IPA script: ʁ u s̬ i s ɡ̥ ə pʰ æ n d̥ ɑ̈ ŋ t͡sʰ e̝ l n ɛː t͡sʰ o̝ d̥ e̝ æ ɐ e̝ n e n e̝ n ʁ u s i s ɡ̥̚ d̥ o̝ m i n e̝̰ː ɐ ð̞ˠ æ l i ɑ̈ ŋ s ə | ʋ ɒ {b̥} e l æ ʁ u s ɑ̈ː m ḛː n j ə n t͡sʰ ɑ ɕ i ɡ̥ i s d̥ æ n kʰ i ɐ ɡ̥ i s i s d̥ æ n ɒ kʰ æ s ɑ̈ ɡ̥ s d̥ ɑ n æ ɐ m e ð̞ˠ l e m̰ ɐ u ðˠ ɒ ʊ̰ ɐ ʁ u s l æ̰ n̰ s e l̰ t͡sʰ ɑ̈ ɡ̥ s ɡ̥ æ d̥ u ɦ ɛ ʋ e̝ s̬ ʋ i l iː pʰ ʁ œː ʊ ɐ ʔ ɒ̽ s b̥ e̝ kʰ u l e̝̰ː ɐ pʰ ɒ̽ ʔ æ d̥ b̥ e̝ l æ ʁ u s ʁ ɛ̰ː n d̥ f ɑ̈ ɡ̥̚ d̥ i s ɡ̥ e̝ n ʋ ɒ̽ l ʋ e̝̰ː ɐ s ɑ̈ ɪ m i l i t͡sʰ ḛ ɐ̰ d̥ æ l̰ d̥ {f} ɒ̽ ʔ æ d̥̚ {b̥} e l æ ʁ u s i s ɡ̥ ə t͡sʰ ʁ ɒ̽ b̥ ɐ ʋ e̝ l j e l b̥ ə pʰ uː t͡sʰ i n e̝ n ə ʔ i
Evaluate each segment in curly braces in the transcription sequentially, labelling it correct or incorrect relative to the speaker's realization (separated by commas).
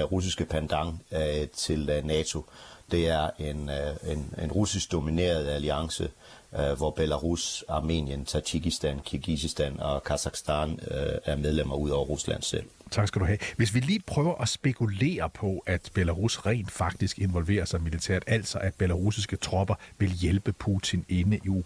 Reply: correct, incorrect, correct